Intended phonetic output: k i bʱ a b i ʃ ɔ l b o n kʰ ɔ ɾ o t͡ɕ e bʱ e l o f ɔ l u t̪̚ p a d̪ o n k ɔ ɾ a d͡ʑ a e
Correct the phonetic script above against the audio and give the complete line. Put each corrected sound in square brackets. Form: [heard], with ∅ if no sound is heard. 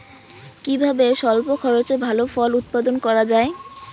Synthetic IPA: k i bʱ a b [e] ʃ ɔ l [p] o [∅] kʰ ɔ ɾ o t͡ɕ e bʱ [a] l o f ɔ l u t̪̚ p a d̪ o n k ɔ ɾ a d͡ʑ a e